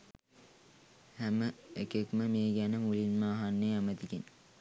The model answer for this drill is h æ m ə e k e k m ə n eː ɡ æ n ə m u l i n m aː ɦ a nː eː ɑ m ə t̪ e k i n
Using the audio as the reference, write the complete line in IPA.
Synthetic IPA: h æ m ə e k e k m ə m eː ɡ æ n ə m u l i n m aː ɦ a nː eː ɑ m ə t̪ i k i n